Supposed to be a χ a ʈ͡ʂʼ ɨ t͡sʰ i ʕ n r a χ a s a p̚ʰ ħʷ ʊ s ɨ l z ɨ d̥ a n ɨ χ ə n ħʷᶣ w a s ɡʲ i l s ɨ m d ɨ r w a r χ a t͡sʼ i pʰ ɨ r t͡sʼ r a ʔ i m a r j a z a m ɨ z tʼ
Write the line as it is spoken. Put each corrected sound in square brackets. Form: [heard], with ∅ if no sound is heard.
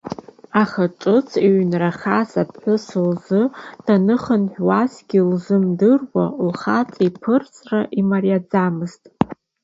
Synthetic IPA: a χ a ʈ͡ʂʼ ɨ t͡sʰ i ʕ n r a χ a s a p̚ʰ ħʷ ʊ s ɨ l z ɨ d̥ a n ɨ χ ə n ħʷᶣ w a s ɡʲ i l [z] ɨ m d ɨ r w a [l] χ a t͡sʼ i pʰ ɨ r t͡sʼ r a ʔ i m a r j a [d͡z] a m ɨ z tʼ